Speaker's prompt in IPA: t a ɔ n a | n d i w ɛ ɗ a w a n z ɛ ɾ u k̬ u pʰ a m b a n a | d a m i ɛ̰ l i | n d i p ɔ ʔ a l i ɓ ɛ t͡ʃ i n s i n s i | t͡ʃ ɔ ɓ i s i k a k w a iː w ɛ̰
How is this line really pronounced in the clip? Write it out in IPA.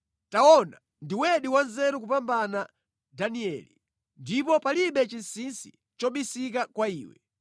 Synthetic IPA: t a ɔ n a | n d i w ɛ ɗ i w a n z ɛ ɾ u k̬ u p a m b a n a | d a n i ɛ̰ l i | n d i p ɔ p a l i ɓ ɛ t͡ʃ i n s i n s i | t͡ʃ ɔ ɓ i s i k a k w a iː w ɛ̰